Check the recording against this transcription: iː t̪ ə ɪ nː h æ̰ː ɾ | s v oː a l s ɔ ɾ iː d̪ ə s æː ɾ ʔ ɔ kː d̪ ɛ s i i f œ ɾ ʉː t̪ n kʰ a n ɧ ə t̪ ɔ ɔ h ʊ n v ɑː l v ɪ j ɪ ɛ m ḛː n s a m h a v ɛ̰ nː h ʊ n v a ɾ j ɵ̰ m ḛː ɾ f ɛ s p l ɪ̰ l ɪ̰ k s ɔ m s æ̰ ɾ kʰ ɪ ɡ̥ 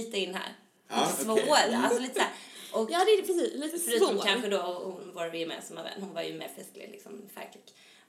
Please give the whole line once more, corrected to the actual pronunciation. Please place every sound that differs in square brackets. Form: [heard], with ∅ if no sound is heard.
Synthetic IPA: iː t̪ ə ɪ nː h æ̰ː ɾ | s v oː a l s ɔ [l] iː [t̪] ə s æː ɾ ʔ ɔ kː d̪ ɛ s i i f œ ɾ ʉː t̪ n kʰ a n ɧ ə [d̪] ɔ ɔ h ʊ n v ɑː [ɾ] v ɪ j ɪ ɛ m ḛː n s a m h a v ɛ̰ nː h ʊ n v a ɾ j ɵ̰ m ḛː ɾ f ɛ s [k] l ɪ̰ l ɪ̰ k s ɔ m [f] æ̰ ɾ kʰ ɪ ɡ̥